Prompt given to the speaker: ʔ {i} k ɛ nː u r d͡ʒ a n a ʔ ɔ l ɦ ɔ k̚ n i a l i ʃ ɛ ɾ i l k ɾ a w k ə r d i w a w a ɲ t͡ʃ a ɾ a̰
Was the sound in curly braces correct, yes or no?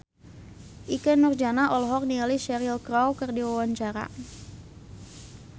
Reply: yes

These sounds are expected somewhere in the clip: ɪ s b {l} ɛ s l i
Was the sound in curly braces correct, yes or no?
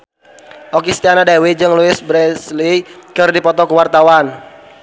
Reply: no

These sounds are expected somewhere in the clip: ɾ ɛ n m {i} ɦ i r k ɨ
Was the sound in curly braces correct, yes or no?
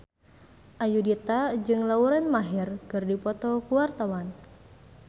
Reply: no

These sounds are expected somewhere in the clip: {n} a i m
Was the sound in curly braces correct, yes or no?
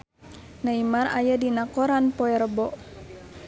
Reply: yes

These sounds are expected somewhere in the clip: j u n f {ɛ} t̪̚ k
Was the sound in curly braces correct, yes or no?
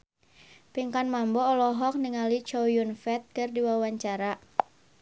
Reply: yes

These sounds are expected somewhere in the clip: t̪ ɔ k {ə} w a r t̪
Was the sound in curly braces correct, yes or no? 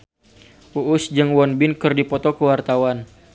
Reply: yes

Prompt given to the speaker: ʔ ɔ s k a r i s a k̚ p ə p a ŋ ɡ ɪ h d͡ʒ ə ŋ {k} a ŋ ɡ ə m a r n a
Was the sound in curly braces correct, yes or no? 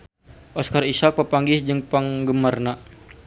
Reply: no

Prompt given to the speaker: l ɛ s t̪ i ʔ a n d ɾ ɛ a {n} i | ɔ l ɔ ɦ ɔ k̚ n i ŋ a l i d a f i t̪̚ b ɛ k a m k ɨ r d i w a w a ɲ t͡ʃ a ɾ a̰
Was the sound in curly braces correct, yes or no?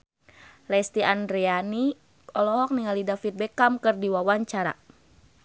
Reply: yes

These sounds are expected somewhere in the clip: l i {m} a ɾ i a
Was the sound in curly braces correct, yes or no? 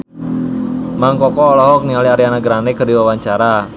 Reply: no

